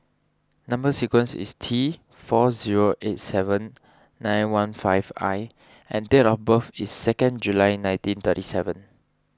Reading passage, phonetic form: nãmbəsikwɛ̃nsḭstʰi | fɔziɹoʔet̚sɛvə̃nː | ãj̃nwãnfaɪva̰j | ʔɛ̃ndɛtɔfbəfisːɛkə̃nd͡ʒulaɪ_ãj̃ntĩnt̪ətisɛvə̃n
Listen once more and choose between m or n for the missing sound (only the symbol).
n